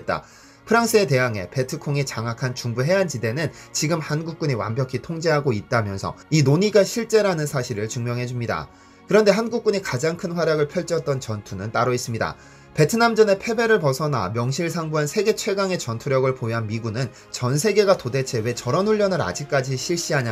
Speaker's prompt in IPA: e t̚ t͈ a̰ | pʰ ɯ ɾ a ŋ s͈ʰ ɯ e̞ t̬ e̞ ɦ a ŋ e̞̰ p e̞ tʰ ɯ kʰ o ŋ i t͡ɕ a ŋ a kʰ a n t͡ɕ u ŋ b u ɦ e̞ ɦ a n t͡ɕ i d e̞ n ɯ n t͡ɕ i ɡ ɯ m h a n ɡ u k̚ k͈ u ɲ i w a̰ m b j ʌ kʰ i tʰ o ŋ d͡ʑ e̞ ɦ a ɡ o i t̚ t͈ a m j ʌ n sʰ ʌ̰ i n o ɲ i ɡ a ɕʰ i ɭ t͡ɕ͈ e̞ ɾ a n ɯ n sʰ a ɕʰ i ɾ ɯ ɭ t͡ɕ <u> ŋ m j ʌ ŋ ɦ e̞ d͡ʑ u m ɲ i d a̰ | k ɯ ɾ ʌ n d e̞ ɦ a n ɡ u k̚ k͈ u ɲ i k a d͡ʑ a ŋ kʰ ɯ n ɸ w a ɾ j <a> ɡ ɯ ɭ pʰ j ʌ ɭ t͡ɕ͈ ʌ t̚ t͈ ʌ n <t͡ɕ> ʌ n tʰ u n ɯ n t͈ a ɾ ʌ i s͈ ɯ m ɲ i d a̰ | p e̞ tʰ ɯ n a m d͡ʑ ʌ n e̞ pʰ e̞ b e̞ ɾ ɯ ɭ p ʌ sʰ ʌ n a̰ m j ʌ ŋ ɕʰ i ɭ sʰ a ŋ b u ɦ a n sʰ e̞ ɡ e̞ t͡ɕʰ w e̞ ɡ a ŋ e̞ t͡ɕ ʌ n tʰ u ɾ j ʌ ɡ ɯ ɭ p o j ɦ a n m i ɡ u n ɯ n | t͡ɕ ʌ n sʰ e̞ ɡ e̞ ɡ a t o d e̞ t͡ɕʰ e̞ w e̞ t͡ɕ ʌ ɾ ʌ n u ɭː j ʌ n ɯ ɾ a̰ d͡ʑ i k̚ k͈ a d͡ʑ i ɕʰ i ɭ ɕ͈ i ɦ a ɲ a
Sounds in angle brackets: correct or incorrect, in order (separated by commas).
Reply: correct, correct, correct